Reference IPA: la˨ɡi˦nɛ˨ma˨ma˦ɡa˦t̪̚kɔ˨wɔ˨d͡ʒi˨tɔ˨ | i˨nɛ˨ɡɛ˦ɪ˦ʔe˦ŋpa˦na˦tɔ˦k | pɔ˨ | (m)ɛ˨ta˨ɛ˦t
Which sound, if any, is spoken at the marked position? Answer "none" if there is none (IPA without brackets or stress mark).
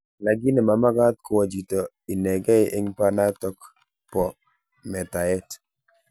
m